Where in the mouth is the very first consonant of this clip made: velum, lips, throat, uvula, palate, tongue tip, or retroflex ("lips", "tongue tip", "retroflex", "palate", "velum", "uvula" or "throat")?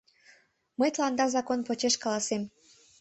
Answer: lips